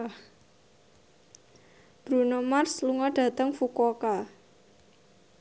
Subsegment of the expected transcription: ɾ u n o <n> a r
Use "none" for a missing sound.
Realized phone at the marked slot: m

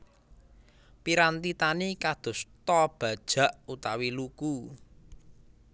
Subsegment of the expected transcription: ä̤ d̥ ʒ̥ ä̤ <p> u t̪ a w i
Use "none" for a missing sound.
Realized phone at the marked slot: ʔ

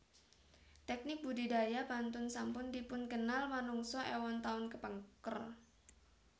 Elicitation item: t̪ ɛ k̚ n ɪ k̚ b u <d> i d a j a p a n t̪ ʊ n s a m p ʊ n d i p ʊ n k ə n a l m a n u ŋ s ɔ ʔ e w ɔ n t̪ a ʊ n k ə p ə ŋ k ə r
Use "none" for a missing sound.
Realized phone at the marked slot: d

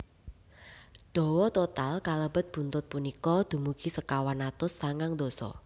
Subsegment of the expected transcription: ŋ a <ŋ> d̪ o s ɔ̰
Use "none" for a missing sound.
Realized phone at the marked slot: ŋ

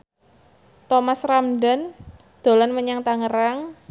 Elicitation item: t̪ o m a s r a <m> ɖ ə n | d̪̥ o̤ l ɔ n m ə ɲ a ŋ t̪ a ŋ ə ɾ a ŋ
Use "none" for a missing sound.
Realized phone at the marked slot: m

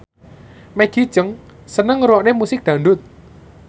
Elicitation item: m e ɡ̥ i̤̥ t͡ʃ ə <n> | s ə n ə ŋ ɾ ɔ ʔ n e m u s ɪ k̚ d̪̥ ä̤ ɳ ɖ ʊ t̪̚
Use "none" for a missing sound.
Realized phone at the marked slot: ŋ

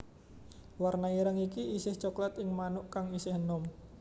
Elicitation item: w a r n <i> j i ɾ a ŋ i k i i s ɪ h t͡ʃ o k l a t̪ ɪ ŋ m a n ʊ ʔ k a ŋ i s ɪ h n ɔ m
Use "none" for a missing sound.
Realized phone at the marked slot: a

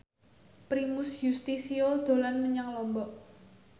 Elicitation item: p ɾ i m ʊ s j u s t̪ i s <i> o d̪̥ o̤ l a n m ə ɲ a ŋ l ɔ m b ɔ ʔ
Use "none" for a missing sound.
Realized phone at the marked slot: i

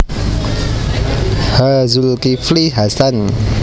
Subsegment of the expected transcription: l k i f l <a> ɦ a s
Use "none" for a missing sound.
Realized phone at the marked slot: i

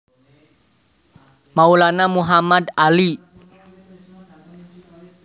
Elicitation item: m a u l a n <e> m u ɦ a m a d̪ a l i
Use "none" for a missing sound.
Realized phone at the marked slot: a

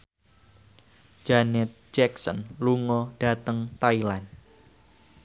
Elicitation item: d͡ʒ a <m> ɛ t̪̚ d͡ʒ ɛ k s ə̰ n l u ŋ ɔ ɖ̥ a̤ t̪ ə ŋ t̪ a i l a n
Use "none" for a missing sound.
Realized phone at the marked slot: n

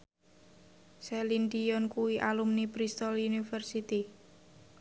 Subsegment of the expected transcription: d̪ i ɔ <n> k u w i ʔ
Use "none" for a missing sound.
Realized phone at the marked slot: n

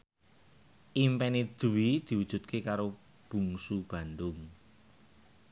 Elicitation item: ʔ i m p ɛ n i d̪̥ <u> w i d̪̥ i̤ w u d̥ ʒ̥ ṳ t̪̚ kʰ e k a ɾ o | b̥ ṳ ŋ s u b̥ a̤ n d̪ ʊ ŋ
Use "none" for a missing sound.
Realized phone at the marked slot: u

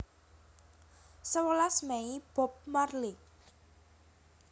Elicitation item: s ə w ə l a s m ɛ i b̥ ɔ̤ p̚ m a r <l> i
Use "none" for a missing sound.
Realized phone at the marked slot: l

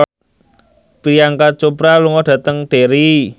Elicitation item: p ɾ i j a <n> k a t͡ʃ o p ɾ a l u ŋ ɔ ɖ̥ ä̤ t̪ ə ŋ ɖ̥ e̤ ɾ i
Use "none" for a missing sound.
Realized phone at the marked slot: ŋ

